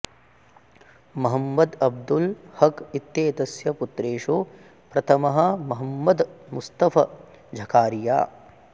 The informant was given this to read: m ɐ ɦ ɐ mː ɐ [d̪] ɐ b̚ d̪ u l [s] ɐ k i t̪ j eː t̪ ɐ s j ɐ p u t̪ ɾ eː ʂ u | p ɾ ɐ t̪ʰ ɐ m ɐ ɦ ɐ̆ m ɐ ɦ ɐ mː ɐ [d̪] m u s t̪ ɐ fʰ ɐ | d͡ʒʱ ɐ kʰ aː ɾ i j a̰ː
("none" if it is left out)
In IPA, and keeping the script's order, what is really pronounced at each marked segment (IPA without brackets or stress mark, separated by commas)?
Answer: d̪, h, d̪